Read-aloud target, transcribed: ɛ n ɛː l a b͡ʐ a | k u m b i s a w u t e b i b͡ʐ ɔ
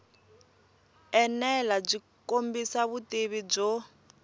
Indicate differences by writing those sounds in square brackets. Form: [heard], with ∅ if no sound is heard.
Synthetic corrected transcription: ɛ n [ɛ] l a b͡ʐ [i] | k [o] m b i s a [β] u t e [β] i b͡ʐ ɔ